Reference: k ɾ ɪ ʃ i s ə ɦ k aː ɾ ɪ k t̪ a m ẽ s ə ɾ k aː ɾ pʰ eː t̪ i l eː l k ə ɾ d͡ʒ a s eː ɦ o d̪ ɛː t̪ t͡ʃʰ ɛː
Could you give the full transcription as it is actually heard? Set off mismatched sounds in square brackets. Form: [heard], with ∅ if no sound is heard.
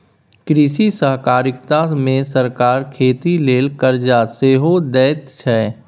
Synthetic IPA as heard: k ɾ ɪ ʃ i s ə ɦ k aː ɾ ɪ k t̪ a m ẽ s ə ɾ k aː ɾ [kʰ] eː t̪ i l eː l k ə ɾ d͡ʒ a s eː ɦ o d̪ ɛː t̪ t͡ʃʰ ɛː